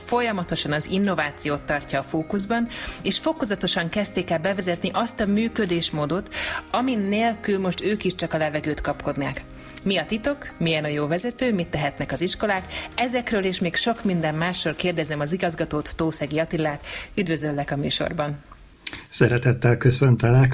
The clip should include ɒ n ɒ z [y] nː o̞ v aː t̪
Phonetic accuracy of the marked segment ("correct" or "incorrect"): incorrect